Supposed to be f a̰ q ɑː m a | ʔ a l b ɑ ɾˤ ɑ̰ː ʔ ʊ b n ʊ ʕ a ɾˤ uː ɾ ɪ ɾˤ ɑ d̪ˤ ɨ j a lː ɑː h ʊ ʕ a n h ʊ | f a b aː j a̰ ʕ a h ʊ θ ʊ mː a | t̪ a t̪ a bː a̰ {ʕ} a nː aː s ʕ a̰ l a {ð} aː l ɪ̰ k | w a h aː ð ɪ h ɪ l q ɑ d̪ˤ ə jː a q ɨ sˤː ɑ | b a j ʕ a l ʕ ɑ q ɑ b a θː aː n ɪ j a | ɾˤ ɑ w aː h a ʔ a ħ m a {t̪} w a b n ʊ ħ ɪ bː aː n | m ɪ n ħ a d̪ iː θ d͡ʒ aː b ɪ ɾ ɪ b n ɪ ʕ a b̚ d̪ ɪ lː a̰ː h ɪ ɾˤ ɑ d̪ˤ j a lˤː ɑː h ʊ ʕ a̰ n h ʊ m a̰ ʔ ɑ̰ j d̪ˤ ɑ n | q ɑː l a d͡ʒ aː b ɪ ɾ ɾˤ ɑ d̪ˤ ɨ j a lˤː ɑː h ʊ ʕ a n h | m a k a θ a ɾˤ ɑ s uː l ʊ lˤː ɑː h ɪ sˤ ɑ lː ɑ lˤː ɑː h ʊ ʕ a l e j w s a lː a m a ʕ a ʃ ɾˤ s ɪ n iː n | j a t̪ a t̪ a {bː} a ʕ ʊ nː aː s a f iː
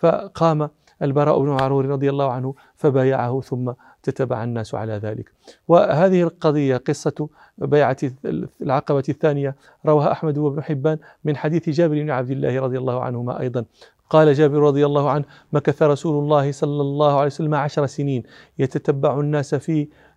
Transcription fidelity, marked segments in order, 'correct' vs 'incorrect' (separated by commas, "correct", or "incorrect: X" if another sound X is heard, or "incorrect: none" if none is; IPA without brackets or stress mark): correct, correct, incorrect: d̪, correct